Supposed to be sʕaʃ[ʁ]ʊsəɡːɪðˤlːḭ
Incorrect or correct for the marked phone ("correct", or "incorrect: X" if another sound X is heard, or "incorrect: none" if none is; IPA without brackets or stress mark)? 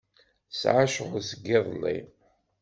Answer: correct